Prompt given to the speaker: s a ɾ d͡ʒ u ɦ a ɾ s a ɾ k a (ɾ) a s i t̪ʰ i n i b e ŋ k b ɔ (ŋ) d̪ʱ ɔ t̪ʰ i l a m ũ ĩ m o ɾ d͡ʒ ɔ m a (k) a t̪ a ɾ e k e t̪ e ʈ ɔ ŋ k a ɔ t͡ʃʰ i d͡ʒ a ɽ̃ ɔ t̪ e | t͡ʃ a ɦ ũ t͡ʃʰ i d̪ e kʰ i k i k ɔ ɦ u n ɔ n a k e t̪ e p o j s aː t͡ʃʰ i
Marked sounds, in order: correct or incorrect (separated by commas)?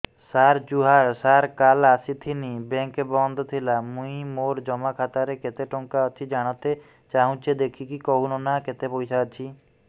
incorrect, incorrect, incorrect